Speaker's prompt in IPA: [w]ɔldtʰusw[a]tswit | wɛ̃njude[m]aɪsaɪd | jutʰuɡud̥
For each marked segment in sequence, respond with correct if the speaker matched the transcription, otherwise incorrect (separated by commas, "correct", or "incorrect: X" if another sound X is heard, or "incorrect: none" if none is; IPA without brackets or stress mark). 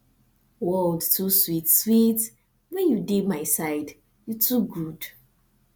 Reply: correct, incorrect: i, correct